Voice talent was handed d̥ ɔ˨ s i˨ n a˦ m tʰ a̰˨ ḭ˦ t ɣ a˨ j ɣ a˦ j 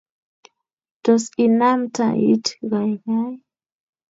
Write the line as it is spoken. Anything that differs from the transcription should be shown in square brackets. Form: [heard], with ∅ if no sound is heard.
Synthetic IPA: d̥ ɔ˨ s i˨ n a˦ m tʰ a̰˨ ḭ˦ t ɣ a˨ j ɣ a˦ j